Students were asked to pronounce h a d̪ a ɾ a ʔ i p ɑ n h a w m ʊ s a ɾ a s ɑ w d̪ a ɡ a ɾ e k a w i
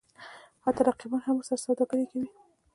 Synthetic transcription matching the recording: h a t̪ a ɾ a q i b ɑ n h a m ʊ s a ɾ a s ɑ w d̪ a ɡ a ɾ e k a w i